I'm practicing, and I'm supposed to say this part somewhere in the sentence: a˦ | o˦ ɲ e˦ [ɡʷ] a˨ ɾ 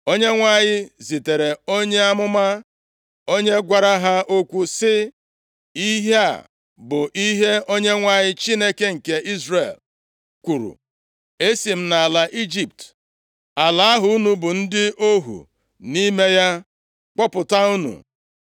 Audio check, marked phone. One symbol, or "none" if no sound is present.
ɡʷ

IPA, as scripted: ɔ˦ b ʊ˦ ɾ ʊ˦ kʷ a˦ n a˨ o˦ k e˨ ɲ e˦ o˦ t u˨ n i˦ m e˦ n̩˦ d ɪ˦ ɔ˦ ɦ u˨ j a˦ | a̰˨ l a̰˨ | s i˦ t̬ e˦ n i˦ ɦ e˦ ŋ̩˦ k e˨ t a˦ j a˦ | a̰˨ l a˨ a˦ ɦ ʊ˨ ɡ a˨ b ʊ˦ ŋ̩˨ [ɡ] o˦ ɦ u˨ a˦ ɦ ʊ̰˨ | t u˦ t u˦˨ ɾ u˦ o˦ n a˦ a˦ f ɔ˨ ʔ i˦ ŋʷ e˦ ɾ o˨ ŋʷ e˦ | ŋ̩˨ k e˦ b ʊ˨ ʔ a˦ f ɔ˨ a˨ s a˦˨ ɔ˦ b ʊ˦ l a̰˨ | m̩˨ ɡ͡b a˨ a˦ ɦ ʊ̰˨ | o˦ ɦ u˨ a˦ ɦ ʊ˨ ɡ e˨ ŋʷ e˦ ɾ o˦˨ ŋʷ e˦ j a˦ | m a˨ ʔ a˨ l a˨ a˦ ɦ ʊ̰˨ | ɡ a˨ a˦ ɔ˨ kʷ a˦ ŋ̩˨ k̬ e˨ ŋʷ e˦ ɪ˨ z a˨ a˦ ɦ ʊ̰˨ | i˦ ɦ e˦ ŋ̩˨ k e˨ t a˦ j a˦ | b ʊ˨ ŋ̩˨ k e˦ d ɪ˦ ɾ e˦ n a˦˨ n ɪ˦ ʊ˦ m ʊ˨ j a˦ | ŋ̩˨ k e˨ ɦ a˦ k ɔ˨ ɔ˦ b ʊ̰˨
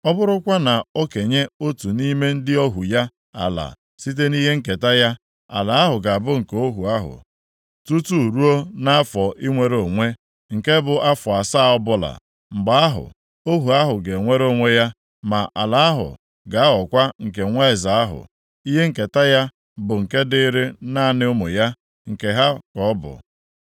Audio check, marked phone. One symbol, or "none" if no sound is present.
k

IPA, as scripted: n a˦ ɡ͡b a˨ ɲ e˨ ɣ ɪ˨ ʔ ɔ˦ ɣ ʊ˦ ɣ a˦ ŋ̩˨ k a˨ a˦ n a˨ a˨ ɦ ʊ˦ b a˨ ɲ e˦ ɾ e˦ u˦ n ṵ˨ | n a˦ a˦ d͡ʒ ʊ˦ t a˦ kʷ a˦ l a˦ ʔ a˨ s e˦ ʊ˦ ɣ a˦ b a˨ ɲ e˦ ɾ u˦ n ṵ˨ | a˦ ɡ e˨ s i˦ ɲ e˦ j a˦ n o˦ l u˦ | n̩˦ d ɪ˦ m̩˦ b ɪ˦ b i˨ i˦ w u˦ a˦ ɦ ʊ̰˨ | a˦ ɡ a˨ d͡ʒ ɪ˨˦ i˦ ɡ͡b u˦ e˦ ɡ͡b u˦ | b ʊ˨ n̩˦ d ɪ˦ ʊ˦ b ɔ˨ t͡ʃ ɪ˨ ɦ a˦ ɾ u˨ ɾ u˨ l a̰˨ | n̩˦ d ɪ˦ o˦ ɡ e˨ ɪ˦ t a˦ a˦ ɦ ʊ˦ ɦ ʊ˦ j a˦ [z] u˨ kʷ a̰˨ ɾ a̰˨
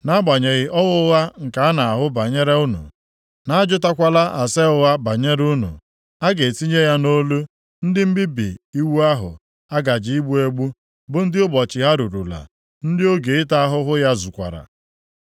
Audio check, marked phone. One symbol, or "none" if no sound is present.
z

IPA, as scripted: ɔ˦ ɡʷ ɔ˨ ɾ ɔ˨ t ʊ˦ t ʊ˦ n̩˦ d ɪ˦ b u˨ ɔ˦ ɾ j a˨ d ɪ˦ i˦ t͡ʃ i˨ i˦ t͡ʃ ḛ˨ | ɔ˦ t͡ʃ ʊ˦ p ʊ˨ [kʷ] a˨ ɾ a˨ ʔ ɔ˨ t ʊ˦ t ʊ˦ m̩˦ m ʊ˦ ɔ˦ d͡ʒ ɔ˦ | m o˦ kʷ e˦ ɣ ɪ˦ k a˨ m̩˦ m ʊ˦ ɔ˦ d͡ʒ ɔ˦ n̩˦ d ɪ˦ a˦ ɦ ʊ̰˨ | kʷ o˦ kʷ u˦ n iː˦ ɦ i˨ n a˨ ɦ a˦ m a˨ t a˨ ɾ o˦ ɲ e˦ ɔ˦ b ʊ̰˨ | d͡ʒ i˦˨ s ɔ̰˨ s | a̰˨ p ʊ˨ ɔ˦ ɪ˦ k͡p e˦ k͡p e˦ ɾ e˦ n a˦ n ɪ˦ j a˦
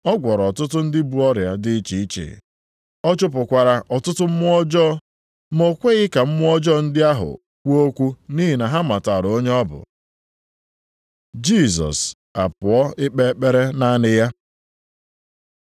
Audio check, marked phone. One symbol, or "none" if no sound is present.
kʷ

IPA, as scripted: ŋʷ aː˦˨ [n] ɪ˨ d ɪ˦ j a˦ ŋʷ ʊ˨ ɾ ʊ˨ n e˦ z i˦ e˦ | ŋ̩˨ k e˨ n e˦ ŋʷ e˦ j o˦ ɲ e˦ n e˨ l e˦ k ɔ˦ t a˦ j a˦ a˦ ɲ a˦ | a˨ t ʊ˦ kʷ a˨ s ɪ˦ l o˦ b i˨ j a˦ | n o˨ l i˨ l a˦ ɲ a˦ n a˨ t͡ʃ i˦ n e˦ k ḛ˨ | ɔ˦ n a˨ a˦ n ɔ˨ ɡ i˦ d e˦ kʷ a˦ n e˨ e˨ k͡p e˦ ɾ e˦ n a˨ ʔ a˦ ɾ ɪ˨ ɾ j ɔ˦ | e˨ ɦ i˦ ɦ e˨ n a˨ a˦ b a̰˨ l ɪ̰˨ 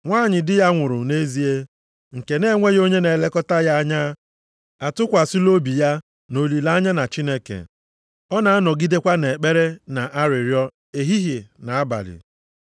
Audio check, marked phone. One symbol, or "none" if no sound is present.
ɲ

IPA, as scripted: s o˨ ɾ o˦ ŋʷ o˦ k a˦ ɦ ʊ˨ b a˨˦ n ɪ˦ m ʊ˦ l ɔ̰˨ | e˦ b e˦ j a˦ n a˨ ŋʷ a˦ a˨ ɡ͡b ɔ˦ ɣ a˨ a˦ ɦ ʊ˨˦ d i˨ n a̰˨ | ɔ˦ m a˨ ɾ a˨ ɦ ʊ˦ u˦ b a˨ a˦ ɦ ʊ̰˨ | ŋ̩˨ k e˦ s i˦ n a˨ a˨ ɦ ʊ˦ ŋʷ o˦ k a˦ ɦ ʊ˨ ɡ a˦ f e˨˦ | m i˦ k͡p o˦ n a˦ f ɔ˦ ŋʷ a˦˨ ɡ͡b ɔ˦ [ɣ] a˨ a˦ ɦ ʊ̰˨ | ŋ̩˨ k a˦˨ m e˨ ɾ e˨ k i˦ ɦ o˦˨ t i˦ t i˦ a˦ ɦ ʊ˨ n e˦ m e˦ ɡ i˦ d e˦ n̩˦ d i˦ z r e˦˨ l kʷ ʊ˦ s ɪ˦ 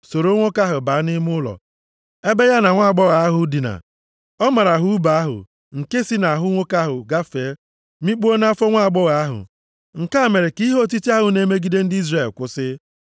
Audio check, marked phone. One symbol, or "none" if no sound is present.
ɣ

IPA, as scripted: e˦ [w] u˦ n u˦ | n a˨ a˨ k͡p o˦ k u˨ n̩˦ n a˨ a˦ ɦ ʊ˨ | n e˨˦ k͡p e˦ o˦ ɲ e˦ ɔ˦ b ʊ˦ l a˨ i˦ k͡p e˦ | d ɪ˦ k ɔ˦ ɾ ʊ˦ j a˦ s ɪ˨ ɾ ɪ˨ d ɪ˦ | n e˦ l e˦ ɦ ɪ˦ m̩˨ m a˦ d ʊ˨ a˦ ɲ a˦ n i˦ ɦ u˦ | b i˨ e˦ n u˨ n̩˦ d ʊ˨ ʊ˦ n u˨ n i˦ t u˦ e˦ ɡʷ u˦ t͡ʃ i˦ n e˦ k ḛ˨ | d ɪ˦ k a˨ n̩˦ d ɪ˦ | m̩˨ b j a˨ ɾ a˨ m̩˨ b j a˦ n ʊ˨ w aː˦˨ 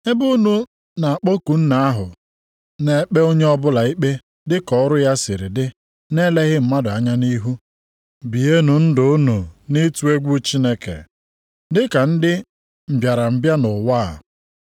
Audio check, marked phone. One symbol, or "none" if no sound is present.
b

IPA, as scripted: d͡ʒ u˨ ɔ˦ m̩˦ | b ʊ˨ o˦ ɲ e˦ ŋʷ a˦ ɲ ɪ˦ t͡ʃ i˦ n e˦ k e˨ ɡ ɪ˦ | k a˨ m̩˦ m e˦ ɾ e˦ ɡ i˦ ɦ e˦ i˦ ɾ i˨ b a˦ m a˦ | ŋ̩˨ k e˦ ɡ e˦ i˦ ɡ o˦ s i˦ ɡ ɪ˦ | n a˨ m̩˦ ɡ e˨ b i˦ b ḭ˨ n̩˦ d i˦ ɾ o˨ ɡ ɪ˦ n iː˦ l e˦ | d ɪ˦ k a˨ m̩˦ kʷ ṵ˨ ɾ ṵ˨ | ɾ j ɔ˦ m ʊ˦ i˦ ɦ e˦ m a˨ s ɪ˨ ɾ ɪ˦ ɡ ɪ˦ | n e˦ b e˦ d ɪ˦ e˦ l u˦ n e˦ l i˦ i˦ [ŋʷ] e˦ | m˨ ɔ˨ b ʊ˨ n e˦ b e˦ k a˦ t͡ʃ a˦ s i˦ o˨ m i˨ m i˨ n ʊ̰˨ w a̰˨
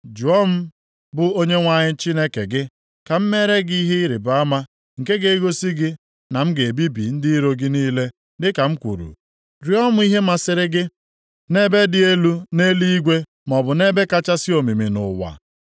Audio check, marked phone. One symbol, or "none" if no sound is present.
ɡʷ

